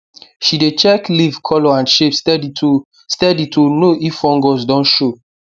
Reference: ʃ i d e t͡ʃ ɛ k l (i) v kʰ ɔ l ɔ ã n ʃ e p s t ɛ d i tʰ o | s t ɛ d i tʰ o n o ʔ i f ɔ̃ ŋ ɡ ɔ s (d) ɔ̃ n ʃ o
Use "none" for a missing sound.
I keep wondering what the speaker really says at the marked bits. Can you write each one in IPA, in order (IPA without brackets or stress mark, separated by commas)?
i, d